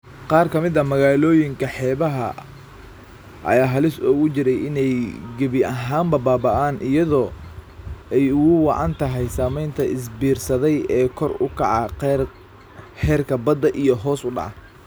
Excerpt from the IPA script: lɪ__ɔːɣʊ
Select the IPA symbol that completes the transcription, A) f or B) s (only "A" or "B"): B